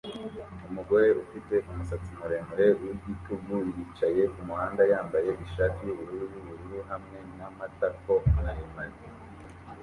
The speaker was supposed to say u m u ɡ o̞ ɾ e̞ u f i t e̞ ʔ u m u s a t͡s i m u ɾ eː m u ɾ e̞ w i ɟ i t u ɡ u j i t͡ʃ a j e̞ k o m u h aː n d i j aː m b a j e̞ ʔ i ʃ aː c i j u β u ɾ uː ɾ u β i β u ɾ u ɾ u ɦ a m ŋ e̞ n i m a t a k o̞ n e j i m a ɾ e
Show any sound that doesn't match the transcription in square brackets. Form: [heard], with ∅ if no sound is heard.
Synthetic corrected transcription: u m u ɡ o̞ ɾ e̞ u f i t e̞ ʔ u m u s a t͡s i m u ɾ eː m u ɾ e̞ w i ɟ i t u ɡ u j i t͡ʃ a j e̞ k [u] m u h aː n d [a] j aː m b a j e̞ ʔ i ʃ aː [t] i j u β u ɾ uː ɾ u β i β u ɾ u ɾ u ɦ a m ŋ e̞ n [a] m a t a k o̞ n [a] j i m a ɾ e